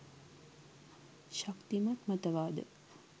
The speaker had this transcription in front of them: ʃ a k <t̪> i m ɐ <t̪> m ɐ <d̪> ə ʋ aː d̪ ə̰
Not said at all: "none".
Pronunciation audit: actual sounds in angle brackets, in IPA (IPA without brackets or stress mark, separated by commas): t̪, t̪, t̪